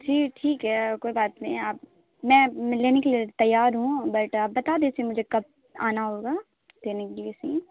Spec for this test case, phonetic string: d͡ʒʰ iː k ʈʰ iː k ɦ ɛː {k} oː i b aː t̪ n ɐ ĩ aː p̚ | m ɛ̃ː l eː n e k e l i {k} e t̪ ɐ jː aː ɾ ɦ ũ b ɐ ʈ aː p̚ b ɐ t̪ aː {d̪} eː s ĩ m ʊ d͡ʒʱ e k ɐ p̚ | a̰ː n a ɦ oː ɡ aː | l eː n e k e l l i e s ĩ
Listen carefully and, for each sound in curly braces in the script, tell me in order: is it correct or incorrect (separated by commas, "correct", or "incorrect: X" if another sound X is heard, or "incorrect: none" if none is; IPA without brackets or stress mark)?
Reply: correct, incorrect: none, correct